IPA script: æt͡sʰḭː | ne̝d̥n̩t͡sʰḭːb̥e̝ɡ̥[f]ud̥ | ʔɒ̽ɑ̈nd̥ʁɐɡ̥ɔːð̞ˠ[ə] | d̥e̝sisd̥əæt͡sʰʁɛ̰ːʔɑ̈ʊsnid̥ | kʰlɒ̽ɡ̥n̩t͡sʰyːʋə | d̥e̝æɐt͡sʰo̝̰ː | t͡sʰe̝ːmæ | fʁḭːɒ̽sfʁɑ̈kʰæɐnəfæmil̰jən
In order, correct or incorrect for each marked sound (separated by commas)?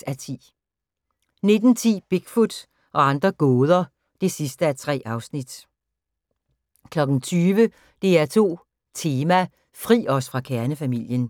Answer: correct, incorrect